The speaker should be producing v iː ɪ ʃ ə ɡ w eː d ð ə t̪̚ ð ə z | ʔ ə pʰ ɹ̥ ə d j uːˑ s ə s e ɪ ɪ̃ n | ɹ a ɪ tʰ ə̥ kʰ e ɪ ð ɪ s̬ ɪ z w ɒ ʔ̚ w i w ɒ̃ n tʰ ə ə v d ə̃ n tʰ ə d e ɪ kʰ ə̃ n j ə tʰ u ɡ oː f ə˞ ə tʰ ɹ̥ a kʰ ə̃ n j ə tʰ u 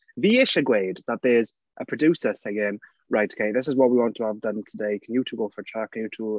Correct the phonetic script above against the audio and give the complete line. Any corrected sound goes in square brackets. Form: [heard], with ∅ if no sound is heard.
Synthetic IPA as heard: v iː ɪ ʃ ə ɡ w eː d ð ə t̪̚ ð ə z | ʔ ə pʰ ɹ̥ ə d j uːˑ s ə s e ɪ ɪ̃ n | ɹ a ɪ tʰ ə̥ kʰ e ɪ ð ɪ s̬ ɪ z w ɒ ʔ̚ w i w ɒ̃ n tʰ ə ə v d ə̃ n tʰ ə d e ɪ kʰ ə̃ n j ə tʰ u ɡ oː f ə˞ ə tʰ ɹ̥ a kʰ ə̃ n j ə tʰ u